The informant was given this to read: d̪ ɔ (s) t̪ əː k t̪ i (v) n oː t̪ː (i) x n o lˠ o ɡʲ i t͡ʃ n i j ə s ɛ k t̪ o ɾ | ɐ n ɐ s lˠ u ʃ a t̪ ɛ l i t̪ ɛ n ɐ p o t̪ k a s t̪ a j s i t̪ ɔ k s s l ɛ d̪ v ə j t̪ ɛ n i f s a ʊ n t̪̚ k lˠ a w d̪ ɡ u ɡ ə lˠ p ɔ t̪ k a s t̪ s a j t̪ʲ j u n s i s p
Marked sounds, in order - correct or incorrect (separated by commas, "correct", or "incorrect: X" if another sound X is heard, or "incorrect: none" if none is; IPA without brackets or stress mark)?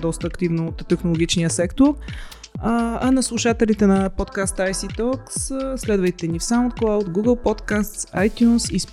correct, correct, incorrect: ɛ